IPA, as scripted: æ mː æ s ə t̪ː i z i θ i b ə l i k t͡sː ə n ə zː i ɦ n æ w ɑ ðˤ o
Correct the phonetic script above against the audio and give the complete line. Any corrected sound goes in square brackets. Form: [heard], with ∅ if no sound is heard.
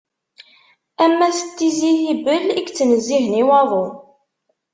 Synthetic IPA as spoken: æ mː æ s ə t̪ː i z i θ i b ə l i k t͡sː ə n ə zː i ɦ n [i] w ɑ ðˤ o